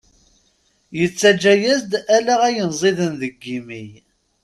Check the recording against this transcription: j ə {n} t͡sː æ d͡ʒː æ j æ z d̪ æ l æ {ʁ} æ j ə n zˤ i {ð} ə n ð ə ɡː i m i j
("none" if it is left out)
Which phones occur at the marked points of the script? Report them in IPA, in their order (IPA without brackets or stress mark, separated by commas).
none, ʁ, ð